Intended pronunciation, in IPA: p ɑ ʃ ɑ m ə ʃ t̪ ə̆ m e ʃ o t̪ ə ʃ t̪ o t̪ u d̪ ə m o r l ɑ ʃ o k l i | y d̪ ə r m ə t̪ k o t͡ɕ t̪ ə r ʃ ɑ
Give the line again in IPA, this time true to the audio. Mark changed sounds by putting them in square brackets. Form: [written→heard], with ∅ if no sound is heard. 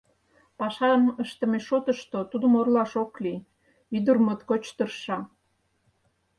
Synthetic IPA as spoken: p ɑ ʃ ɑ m ə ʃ t̪ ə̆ m e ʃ o t̪ ə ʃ t̪ o t̪ u d̪ ə m o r l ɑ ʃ o k l i | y d̪ ə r m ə t̪ k o t͡ɕ t̪ ə r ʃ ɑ